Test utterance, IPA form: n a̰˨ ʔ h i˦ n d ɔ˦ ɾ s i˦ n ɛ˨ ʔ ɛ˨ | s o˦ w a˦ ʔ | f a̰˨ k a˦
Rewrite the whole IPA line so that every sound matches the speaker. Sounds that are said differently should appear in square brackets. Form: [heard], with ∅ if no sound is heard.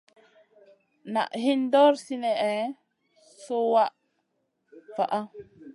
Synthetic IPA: n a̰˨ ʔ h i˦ n d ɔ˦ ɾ s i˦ n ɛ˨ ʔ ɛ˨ | s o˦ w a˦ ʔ | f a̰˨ [ʔ] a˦

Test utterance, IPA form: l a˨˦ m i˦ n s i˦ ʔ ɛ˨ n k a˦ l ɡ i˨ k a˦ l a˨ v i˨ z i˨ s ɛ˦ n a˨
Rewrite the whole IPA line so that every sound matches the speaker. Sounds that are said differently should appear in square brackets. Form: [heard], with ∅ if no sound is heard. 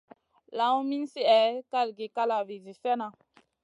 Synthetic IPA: l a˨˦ m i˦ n s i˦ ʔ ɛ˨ [∅] k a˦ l ɡ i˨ k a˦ l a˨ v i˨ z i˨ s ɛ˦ n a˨

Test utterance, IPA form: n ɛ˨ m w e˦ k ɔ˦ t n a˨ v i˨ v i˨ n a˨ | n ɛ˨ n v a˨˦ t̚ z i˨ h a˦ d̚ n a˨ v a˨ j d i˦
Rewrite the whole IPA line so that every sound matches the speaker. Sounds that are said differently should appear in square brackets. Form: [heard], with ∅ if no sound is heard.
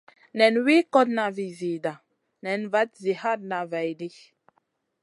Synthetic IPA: n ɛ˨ [n] w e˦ k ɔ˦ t n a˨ v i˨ [z] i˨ [d] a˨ | n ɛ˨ n v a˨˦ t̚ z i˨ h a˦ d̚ n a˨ v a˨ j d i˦

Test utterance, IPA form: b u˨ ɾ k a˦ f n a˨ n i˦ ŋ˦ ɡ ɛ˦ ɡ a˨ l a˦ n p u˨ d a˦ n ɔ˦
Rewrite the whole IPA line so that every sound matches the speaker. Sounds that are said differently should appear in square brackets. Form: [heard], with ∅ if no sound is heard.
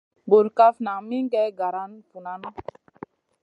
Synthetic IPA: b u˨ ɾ k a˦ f n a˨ [m] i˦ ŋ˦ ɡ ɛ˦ ɡ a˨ [ɾ] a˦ n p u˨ [n] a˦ n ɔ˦

